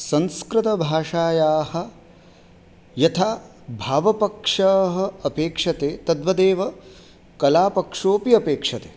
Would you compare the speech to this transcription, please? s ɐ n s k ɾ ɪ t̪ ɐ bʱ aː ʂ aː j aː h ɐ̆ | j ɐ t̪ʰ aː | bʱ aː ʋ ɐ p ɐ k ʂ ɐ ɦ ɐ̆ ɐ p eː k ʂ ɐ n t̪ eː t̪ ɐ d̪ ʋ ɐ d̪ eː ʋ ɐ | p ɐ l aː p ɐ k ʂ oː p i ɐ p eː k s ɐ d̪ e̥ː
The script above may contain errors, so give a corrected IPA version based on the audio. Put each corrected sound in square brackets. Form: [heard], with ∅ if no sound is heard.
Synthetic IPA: s ɐ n s k ɾ ɪ t̪ ɐ bʱ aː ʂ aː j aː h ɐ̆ | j ɐ t̪ʰ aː | bʱ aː ʋ ɐ p ɐ k ʂ ɐ ɦ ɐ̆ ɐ p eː k ʂ ɐ [∅] t̪ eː t̪ ɐ d̪ ʋ ɐ d̪ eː ʋ ɐ | [k] ɐ l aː p ɐ k ʂ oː p i ɐ p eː k [ʂ] ɐ [t̪] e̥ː